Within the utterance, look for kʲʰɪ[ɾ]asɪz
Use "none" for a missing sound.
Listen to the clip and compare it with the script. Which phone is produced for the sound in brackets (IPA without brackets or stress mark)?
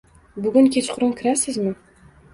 ɾ